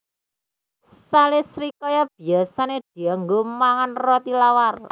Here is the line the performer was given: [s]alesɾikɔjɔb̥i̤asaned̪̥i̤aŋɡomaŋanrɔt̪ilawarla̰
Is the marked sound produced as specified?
yes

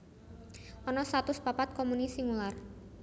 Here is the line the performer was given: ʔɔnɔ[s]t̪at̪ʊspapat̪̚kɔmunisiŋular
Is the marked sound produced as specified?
yes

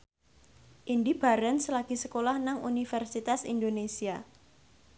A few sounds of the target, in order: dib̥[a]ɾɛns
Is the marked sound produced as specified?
yes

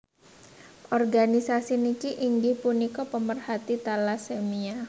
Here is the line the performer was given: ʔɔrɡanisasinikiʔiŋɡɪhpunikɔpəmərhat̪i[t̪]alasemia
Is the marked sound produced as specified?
yes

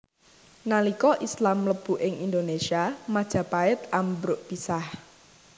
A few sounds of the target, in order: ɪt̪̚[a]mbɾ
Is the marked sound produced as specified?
yes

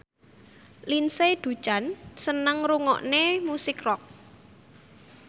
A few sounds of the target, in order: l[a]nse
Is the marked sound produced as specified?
no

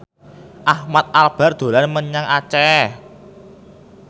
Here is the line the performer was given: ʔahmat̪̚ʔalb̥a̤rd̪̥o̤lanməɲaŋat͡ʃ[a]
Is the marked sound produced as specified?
no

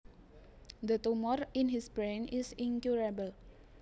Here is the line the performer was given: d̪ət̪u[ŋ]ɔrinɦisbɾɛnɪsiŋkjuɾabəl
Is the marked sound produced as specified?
no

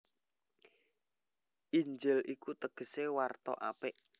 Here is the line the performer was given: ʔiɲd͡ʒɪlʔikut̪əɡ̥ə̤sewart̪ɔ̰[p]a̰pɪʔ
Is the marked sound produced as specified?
no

